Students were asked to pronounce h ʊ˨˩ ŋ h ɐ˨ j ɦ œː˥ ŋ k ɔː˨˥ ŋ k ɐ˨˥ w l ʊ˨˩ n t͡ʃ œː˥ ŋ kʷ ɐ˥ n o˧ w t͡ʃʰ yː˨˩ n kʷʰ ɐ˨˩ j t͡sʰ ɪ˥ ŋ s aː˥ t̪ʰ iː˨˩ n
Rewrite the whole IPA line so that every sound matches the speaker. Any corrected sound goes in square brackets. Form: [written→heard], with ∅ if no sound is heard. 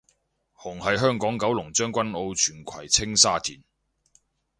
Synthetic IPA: h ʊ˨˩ ŋ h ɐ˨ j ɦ œː˥ ŋ k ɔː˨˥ ŋ k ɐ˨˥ w l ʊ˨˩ [n→ŋ] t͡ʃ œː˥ ŋ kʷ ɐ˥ n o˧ w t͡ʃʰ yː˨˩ n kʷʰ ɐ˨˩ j t͡sʰ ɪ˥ ŋ s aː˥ t̪ʰ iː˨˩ n